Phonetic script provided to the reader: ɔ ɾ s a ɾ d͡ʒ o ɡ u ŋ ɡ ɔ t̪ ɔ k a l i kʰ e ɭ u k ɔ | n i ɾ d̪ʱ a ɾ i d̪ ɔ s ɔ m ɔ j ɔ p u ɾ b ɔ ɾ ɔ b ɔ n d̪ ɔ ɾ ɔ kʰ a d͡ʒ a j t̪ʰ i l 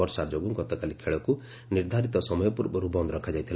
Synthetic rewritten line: ɔ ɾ s a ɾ d͡ʒ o ɡ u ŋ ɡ ɔ t̪ ɔ k a l i kʰ e ɭ ɔ k u | n i ɾ d̪ʱ a ɾ i t̪ ɔ s ɔ m ɔ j ɔ p u ɾ b ɔ ɾ u b ɔ n d̪ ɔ ɾ ɔ kʰ a d͡ʒ a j t̪ʰ i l